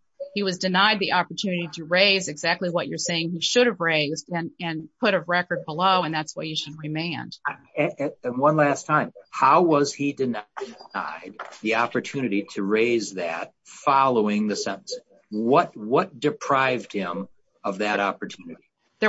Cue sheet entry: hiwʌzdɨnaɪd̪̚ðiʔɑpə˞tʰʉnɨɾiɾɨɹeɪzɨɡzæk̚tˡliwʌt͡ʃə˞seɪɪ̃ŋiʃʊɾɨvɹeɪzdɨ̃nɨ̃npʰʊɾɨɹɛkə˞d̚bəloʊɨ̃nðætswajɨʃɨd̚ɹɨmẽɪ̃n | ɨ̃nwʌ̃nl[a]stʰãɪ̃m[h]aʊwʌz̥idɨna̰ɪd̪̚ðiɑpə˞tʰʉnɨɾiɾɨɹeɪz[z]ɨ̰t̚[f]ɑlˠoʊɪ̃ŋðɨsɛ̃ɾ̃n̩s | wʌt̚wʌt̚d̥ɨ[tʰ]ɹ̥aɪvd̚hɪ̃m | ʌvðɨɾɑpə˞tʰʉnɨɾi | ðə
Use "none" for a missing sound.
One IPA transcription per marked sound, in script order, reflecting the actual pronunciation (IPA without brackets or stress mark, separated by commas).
æ, h, ð, f, pʰ